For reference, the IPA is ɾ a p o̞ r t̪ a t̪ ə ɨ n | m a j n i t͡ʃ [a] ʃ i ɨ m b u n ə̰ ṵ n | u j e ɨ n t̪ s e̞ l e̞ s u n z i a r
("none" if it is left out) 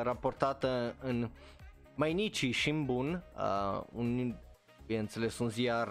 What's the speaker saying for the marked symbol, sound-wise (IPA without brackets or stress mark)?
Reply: i